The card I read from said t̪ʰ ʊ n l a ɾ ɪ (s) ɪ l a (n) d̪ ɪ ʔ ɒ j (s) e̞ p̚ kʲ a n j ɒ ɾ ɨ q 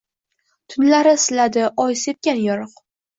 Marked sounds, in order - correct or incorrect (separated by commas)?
correct, incorrect, correct